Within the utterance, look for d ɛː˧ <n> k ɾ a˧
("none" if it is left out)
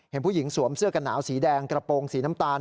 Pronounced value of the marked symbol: ŋ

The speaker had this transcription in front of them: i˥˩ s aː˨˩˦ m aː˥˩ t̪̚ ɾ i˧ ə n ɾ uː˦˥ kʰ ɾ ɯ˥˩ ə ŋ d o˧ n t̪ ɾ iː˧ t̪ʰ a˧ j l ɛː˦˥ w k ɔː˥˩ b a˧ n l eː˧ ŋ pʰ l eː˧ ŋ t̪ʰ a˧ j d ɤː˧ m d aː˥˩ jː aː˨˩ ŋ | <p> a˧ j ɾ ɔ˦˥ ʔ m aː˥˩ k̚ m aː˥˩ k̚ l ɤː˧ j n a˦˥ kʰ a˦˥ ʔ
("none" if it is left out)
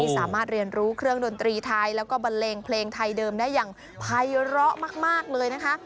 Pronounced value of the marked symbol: pʰ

